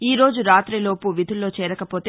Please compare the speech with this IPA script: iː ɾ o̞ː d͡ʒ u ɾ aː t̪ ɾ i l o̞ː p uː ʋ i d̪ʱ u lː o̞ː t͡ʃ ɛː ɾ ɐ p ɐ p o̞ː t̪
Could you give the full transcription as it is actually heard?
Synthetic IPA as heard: iː ɾ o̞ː d͡ʒ u ɾ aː t̪ ɾ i l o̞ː p u ʋ i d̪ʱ u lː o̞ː t͡ʃ ɛː ɾ ɐ k ɐ p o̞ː t̪